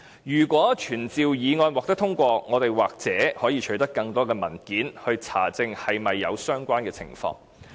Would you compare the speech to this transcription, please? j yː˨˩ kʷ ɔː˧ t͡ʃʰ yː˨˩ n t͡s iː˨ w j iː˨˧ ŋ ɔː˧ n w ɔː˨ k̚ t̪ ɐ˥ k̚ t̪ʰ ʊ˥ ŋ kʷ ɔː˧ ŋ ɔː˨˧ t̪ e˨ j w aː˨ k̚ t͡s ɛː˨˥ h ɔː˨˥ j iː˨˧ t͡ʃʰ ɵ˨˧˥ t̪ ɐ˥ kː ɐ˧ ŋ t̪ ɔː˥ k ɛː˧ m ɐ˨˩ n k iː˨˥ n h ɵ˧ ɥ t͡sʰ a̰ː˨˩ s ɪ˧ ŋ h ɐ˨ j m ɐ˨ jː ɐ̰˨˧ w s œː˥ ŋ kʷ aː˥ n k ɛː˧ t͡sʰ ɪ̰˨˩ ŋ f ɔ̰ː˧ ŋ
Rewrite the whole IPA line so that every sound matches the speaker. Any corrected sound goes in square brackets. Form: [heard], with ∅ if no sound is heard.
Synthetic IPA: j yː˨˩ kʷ [ɔː˨˥] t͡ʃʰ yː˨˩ n t͡s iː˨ w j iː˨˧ ŋ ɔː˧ n w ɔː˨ k̚ t̪ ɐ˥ k̚ t̪ʰ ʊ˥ ŋ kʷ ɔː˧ ŋ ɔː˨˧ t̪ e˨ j w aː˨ k̚ t͡s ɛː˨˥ h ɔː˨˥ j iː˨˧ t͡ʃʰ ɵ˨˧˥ t̪ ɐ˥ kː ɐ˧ ŋ t̪ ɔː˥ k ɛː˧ m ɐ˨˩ n k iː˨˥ n h ɵ˧ ɥ t͡sʰ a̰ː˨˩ [t͡s] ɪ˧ ŋ h ɐ˨ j m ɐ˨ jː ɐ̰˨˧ w s œː˥ ŋ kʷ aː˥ n k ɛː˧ t͡sʰ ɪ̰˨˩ ŋ f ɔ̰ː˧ ŋ

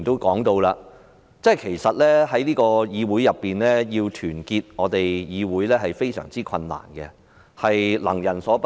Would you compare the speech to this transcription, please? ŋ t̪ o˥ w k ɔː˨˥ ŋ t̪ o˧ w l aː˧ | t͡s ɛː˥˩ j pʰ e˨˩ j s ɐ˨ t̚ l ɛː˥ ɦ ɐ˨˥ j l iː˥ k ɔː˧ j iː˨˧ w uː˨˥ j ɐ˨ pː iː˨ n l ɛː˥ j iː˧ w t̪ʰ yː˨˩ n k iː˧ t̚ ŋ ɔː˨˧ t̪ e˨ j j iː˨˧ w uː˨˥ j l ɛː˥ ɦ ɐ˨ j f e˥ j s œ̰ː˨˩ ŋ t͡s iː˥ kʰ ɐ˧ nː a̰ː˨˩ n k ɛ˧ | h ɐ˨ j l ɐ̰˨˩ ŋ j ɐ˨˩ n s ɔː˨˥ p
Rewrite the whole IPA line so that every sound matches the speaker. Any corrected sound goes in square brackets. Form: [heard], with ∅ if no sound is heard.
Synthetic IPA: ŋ t̪ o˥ w k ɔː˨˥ ŋ t̪ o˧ w l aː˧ | t͡s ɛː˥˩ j [kʰ] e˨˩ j s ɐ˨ t̚ l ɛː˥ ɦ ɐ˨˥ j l iː˥ k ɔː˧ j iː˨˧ w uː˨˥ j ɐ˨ pː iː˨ n l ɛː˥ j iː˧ w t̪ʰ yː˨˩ n k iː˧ t̚ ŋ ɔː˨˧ t̪ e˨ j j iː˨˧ w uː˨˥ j l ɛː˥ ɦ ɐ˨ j f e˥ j s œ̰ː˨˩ ŋ t͡s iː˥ kʰ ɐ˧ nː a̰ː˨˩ n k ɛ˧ | h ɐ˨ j l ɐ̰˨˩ ŋ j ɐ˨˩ n s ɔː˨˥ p

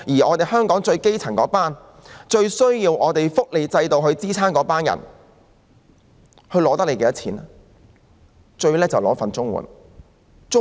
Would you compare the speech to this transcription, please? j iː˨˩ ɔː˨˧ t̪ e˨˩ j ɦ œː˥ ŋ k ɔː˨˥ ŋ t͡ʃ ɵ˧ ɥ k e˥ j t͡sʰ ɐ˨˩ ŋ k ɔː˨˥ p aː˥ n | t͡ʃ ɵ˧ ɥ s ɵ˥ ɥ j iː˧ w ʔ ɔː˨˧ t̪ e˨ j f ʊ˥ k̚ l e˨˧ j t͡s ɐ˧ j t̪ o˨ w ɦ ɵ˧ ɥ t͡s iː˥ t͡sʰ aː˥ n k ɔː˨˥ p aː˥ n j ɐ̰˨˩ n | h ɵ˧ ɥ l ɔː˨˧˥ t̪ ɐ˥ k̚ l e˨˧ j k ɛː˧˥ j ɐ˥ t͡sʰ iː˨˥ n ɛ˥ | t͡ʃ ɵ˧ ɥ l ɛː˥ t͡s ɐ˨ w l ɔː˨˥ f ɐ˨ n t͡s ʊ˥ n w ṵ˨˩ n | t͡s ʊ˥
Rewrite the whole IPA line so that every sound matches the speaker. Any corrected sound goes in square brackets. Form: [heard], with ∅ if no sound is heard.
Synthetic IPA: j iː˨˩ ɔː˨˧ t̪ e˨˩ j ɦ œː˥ ŋ k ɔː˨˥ ŋ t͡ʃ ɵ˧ ɥ k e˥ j t͡sʰ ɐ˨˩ ŋ k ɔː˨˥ p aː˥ n | t͡ʃ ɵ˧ ɥ s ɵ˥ ɥ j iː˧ w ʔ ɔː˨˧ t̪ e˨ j f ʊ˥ k̚ l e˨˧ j t͡s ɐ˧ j t̪ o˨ w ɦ ɵ˧ ɥ t͡s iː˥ t͡sʰ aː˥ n k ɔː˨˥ p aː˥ n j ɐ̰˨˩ n | h ɵ˧ ɥ l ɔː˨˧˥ t̪ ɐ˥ k̚ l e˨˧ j k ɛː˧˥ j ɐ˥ t͡sʰ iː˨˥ n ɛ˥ | t͡ʃ ɵ˧ ɥ l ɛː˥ t͡s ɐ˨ w l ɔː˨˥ f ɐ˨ n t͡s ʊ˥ [ŋ] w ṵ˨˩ n | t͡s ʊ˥

